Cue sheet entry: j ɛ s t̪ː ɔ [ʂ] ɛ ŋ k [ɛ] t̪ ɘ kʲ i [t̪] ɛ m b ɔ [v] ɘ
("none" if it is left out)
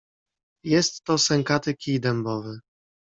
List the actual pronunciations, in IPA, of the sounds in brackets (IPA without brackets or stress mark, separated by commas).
s, a, d̪, v